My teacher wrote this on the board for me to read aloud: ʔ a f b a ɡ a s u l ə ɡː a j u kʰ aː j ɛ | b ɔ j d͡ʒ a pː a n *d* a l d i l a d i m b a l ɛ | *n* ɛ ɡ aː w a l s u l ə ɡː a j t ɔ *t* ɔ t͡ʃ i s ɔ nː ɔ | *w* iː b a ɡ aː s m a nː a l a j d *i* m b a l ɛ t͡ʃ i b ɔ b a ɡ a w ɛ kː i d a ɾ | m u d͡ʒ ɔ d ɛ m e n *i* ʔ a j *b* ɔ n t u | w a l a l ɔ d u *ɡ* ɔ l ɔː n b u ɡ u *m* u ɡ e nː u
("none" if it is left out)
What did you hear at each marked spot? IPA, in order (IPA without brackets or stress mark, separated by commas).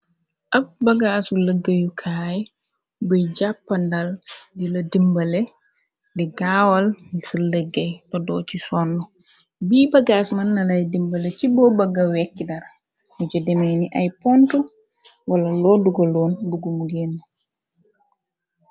d, d, d, b, i, i, p, ɡ, m